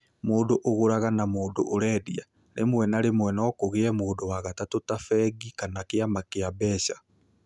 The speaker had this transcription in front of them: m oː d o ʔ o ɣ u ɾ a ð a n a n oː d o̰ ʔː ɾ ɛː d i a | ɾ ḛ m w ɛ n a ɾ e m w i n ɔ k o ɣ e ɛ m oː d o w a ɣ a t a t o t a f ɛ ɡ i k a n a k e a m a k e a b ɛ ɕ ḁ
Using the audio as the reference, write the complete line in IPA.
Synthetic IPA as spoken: m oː d o ʔ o ɣ o ɾ a ɣ a n a m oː d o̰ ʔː ɾ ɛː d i a | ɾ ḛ m w ɛ n a ɾ e m w ɛ n ɔ k o ɣ e ɛ m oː d o w a ɣ a t a t o t a f ɛ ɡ i k a n a k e a m a k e a b ɛ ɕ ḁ